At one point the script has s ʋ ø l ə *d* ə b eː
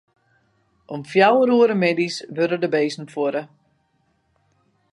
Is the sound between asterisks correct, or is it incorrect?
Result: correct